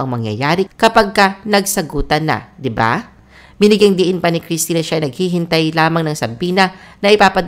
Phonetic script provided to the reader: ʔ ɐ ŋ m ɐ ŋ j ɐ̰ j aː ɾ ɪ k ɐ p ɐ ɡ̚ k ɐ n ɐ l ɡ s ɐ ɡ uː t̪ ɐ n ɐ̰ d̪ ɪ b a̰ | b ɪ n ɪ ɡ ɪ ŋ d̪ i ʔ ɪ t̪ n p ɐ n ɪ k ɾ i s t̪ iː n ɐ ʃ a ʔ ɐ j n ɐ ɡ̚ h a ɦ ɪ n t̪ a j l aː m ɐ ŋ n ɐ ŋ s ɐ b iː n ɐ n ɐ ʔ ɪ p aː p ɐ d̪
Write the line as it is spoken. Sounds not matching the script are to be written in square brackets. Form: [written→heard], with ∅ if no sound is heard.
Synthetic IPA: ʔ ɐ ŋ m ɐ ŋ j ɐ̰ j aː ɾ ɪ k ɐ p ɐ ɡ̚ k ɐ n ɐ [l→∅] ɡ s ɐ ɡ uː t̪ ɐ n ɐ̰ d̪ ɪ b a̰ | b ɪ n ɪ ɡ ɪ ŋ d̪ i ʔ ɪ [t̪→∅] n p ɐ n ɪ k ɾ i s t̪ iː n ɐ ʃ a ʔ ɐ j n ɐ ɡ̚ h [a→i] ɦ ɪ n t̪ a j l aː m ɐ ŋ n ɐ ŋ s ɐ b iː n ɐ n ɐ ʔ ɪ p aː p ɐ d̪